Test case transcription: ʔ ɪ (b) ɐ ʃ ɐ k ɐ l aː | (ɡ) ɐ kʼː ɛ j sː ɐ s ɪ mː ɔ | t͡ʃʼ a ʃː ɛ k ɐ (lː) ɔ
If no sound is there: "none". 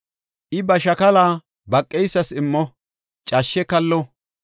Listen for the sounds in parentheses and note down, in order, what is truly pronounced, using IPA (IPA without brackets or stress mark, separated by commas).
b, b, lː